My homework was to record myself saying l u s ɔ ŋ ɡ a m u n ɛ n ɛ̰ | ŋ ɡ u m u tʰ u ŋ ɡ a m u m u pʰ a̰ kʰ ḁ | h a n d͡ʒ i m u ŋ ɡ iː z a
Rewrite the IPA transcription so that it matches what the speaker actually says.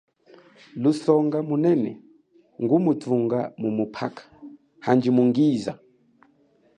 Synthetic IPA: l u s ɔ ŋ ɡ a m u n ɛ n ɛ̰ | ŋ ɡ u m u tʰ u ŋ ɡ a m u m u pʰ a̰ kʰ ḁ | h a n d͡ʒ i m u ŋ ɡ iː z a

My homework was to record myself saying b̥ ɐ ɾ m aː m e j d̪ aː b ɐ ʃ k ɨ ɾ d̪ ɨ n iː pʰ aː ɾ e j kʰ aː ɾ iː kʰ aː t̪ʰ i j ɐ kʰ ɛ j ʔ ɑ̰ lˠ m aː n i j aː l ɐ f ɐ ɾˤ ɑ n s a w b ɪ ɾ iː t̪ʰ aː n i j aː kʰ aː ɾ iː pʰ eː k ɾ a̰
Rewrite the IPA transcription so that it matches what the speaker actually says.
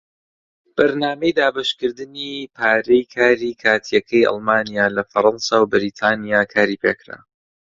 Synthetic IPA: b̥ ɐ ɾ n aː m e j d̪ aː b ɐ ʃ k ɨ ɾ d̪ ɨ n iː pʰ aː ɾ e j kʰ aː ɾ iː kʰ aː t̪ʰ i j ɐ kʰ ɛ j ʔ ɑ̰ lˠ m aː n i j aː l ɐ f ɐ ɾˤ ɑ n s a w b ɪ ɾ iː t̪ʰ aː n i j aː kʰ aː ɾ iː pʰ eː k ɾ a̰

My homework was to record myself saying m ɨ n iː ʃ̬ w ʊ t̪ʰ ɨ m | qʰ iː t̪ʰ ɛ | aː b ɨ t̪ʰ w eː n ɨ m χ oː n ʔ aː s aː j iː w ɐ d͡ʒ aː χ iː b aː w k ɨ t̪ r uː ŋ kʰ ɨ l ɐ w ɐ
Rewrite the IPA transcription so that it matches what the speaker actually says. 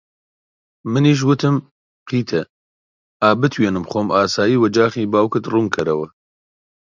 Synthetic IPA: m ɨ n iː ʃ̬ w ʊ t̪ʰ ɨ m | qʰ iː t̪ʰ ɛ | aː b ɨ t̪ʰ w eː n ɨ m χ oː m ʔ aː s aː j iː w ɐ d͡ʒ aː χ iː b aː w k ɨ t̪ r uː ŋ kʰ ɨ ɾ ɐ w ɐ

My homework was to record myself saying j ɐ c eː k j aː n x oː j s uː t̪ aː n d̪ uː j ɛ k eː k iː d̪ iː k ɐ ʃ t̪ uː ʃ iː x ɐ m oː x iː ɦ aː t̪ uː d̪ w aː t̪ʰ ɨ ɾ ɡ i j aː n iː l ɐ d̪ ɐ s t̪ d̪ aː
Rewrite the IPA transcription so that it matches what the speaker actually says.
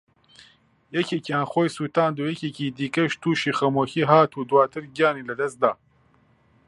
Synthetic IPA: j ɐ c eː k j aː n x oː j s uː t̪ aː n d̪ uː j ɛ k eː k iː d̪ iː k ɐ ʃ t̪ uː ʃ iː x ɐ m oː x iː ɦ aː t̪ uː d̪ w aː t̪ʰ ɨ ɾ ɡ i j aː n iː l ɐ d̪ ɐ s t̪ d̪ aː

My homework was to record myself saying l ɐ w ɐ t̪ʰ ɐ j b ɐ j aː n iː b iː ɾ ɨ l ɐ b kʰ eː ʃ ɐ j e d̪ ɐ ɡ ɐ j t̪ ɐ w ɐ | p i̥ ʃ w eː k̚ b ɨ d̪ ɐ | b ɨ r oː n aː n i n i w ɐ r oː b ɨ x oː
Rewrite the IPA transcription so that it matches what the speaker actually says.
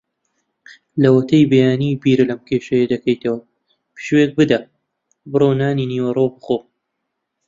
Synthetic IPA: l ɐ w ɐ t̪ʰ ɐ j b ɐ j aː n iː b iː ɾ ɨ l ɐ m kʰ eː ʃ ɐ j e d̪ ɐ k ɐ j t̪ ɐ w ɐ | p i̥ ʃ w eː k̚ b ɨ d̪ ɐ | b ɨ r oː n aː n i n i w ɐ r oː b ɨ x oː

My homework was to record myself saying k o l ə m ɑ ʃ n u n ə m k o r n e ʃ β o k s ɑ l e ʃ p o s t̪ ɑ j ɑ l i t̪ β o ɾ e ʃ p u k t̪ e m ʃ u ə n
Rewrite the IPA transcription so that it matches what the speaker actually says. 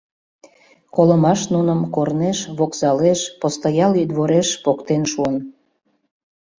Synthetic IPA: k o l ə m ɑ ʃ n u n ə m k o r n e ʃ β o k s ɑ l e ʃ p o s t̪ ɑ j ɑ l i d̪ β o ɾ e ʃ p o k t̪ e n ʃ u ə n

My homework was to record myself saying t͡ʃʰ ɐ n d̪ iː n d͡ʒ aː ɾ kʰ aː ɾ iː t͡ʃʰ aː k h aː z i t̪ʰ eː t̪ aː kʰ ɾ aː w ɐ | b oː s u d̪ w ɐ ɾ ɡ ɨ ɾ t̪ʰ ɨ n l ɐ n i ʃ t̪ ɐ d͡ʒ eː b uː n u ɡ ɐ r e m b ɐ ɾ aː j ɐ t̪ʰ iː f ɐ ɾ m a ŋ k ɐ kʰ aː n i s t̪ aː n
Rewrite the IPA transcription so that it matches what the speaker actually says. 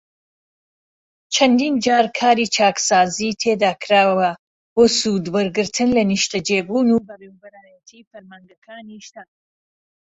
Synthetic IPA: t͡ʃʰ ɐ n d̪ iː n d͡ʒ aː ɾ kʰ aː ɾ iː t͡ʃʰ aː k s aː z i t̪ʰ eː d̪ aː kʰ ɾ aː w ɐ | b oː s u d̪ w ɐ ɾ ɡ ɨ ɾ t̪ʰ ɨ n l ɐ n i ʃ t̪ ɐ d͡ʒ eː b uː n u b ɐ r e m b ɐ ɾ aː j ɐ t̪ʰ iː f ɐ ɾ m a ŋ ɡ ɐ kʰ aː n i ʃ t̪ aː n

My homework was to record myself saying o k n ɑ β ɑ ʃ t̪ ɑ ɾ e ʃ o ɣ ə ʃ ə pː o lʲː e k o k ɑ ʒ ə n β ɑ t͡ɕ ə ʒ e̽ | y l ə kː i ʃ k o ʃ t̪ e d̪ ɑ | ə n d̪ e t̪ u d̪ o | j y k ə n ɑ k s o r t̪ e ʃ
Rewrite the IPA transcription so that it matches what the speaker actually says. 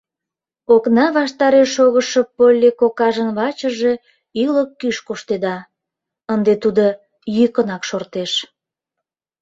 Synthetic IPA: o k n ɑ β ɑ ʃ t̪ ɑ ɾ e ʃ o ɣ ə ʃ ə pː o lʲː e k o k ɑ ʒ ə n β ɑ t͡ɕ ə ʒ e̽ | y l ə kː y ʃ k o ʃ t̪ e d̪ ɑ | ə n d̪ e t̪ u d̪ o | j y k ə n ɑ k ʃ o r t̪ e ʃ

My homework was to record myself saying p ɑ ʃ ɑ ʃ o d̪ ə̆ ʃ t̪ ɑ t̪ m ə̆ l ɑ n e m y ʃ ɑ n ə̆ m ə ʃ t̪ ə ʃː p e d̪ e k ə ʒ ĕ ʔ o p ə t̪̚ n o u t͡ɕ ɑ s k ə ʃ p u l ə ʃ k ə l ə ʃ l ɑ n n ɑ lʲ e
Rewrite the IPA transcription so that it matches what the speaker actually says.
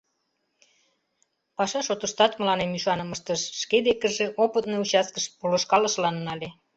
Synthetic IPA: p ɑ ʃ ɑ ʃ o t̪ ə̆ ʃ t̪ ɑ t̪ m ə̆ l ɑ n e m y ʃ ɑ n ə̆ m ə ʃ t̪ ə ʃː k e d̪ e k ə ʒ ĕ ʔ o p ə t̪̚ n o u t͡ɕ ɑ s k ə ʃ p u l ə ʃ k ɑ l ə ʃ l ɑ n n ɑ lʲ e

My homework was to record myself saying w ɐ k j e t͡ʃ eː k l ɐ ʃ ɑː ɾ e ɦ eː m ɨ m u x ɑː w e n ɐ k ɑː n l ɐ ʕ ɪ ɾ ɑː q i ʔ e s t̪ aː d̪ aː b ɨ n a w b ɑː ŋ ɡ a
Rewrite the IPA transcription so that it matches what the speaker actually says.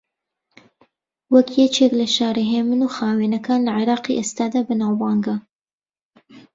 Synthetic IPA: w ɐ k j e t͡ʃ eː k l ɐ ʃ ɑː ɾ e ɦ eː m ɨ n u x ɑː w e n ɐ k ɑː n l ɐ ʕ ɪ ɾ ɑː q i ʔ e s t̪ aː d̪ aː b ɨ n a w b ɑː ŋ ɡ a

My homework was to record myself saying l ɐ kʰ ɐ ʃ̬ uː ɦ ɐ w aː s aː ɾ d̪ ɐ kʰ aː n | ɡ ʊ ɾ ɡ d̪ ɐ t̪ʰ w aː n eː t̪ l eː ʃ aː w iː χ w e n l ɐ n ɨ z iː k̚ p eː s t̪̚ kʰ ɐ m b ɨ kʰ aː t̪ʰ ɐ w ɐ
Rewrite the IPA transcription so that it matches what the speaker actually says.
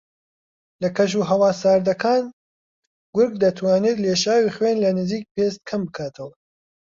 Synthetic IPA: l ɐ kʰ ɐ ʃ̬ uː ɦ ɐ w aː s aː ɾ d̪ ɐ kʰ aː n | ɡ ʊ ɾ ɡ d̪ ɐ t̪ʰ w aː n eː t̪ l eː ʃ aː w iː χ w e n l ɐ n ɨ z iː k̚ p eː s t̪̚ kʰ ɐ m b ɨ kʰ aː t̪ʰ ɐ w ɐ

